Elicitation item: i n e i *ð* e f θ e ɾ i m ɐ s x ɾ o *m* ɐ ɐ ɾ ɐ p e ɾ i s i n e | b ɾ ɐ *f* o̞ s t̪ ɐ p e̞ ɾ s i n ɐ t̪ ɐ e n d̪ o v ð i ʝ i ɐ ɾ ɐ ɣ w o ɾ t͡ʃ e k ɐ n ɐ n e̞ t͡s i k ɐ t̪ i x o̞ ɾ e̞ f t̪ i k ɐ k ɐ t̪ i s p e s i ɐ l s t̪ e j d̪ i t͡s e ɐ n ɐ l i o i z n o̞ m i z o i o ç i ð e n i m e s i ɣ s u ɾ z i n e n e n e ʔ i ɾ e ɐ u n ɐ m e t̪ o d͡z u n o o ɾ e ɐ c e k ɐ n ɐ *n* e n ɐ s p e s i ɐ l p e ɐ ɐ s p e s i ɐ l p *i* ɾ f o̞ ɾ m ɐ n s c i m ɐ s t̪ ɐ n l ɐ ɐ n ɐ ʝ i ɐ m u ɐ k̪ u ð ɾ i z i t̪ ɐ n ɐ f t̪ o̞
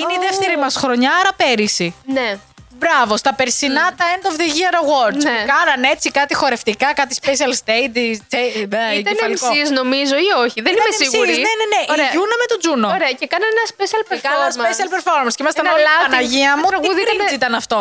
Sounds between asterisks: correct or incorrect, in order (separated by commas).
correct, incorrect, incorrect, correct, incorrect